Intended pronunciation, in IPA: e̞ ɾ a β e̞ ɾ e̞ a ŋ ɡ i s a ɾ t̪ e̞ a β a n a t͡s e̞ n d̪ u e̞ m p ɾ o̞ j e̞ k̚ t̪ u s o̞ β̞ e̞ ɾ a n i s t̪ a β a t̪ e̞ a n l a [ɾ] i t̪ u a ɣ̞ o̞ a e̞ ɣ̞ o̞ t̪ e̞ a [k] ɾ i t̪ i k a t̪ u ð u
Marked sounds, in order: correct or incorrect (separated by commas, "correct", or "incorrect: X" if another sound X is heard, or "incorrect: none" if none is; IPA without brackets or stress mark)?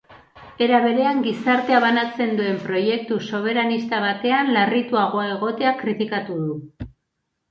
incorrect: r, correct